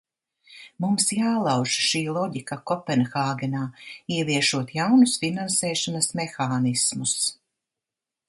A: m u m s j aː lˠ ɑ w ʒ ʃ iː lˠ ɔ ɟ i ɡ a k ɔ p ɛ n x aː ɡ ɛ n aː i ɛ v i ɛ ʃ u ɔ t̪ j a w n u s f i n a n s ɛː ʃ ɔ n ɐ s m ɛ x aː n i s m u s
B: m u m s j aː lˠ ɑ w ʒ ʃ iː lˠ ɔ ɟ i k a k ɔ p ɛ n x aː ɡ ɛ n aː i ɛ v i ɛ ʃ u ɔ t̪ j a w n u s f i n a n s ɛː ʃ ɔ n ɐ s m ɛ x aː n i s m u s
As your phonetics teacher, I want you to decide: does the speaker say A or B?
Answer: B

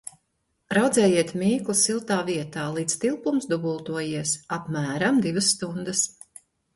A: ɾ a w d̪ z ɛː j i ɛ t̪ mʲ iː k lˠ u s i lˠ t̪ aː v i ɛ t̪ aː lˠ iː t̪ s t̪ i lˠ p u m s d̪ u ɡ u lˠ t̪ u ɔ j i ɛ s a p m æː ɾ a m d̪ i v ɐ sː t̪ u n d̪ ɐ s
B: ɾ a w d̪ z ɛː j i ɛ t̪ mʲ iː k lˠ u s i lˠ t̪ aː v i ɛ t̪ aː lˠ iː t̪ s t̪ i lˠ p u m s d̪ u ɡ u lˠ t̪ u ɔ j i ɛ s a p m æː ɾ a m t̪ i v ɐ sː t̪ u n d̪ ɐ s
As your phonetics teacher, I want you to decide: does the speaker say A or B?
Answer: A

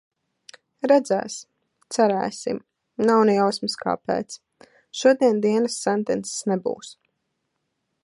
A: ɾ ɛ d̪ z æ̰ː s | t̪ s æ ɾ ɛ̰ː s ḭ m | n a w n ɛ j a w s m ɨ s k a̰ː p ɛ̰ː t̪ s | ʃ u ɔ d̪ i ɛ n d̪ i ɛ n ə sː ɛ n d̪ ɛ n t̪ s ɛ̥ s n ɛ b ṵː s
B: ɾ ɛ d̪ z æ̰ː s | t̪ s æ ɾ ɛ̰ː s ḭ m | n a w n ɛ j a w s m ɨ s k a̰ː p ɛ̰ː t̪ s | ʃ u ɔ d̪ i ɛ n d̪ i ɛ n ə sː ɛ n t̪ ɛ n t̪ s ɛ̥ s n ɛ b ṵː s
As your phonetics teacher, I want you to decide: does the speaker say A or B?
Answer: B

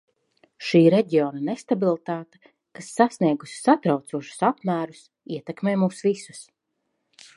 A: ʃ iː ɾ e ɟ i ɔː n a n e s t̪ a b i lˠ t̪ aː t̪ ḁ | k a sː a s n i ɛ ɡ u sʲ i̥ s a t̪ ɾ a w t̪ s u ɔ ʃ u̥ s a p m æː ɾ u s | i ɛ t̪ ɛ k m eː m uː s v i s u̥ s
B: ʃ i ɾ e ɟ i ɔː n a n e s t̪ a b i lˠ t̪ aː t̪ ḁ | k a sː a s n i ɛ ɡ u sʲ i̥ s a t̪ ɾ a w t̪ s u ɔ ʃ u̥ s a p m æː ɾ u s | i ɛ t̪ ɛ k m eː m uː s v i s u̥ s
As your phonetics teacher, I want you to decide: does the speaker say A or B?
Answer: A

